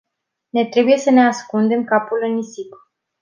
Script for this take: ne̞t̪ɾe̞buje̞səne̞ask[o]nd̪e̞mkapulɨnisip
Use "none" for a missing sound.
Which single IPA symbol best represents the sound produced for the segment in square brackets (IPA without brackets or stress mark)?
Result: u